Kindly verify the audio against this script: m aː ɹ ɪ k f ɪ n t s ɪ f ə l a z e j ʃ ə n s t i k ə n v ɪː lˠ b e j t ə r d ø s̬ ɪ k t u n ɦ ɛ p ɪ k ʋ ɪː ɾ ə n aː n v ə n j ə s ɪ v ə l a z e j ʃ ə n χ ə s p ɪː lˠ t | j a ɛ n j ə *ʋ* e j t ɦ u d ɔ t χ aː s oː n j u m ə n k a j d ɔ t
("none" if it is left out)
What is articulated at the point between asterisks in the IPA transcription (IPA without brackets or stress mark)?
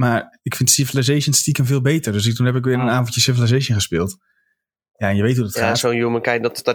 ʋ